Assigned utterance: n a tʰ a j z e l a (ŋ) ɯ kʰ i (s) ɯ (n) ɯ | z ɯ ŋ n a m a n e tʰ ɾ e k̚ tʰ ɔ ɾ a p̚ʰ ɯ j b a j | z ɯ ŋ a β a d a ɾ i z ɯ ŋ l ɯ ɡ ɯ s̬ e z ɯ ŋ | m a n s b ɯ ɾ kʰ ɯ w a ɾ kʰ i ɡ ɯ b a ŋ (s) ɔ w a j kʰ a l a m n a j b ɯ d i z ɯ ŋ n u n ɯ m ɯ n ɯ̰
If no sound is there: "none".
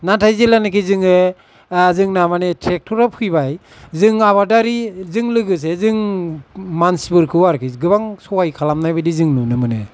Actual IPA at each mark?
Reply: n, z, ŋ, s

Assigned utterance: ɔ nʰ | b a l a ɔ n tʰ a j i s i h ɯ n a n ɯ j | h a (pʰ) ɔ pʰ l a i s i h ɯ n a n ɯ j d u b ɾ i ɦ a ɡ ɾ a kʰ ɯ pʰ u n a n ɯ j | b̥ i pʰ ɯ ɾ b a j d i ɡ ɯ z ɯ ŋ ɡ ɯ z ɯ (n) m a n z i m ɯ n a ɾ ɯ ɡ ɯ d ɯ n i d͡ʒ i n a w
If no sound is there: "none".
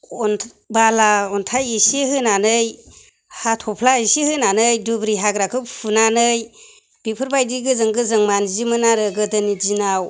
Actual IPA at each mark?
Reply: tʰ, ŋ

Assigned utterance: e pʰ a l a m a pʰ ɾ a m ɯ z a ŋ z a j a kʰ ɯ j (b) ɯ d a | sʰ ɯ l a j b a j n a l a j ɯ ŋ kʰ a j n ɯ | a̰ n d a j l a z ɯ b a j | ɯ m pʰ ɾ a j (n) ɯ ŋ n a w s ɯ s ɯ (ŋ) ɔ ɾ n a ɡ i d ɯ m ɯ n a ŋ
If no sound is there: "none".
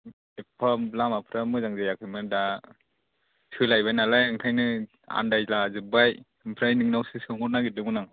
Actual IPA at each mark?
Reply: m, n, ŋ

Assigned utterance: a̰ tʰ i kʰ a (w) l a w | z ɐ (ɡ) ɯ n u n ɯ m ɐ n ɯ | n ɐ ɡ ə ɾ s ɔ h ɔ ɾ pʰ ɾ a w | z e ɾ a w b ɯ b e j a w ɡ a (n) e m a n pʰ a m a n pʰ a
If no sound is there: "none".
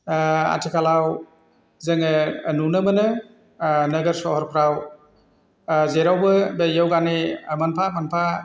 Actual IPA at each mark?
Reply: none, ŋ, n

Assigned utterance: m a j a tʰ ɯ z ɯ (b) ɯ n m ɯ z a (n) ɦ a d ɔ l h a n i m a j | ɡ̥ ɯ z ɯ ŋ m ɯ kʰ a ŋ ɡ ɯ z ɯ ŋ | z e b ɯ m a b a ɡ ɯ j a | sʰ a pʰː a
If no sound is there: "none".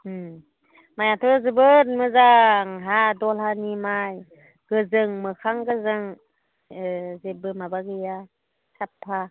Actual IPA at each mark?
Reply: b, ŋ

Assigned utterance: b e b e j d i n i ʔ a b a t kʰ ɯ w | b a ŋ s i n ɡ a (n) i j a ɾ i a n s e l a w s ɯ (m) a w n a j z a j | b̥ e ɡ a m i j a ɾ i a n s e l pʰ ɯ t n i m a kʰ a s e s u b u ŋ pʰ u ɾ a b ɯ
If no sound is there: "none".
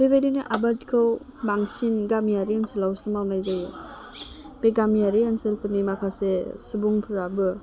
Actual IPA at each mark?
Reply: m, m

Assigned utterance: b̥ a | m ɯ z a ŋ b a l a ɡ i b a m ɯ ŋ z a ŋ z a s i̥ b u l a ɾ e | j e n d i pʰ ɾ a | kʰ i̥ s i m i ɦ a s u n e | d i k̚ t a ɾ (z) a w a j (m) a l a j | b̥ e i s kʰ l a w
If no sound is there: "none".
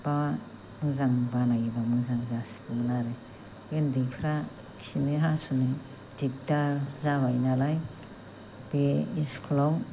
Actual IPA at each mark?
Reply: z, n

